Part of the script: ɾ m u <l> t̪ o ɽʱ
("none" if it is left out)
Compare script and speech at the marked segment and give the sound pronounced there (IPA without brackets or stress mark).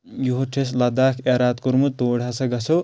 none